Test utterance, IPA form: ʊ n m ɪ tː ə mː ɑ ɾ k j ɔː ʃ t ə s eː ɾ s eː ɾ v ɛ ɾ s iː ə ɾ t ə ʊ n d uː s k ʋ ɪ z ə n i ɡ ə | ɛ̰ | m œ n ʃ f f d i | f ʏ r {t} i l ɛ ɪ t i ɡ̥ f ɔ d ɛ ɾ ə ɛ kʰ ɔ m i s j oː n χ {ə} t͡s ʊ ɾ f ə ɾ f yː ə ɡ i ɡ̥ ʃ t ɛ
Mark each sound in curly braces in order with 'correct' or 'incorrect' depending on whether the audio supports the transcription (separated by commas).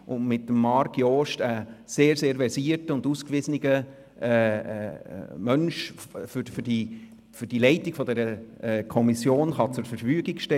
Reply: incorrect, incorrect